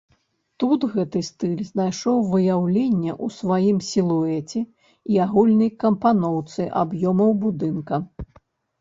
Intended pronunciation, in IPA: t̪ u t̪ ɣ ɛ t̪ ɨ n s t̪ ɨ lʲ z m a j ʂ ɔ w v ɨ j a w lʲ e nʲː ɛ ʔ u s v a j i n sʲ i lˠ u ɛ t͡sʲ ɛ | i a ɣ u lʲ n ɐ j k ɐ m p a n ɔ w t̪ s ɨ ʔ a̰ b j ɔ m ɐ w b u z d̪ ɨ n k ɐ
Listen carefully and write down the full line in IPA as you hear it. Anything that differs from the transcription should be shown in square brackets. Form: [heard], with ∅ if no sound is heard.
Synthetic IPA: t̪ u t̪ ɣ ɛ t̪ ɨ [∅] s t̪ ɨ lʲ z [n] a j ʂ ɔ w v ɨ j a w lʲ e nʲː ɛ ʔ u s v a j i [m] sʲ i lˠ u ɛ t͡sʲ ɛ | i a ɣ u lʲ n ɐ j k ɐ m p a n ɔ w t̪ s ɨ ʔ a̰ b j ɔ m ɐ w b u [∅] d̪ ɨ n k ɐ